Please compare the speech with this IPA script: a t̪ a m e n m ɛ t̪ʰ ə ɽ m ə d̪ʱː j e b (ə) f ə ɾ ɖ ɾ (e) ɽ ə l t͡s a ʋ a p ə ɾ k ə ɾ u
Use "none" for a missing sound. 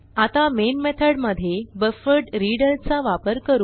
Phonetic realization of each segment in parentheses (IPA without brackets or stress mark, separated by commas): ə, i